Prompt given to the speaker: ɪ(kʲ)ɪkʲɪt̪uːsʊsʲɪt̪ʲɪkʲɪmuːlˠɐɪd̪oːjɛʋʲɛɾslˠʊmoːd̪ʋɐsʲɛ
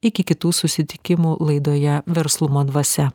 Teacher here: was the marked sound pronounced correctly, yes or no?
yes